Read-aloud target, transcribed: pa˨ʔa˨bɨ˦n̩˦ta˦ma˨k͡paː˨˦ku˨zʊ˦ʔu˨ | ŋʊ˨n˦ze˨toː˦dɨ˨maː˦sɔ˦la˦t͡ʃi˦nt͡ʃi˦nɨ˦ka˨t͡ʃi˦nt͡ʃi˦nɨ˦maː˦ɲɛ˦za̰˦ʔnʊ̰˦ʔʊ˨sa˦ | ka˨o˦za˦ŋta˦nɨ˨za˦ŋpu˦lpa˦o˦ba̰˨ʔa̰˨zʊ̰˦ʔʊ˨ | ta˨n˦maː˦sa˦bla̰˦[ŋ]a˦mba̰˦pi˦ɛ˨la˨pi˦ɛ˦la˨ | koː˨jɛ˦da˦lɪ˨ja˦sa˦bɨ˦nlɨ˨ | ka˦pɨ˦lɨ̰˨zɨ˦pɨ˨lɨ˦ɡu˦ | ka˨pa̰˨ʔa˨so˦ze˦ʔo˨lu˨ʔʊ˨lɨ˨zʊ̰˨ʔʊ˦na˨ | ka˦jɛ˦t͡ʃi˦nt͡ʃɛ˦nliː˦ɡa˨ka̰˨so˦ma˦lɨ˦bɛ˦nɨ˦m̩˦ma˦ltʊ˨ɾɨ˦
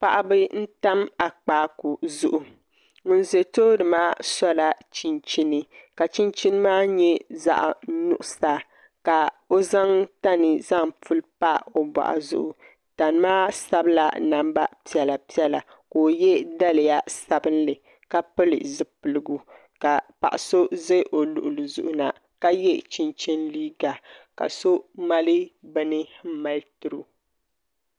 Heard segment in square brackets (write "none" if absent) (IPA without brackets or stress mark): n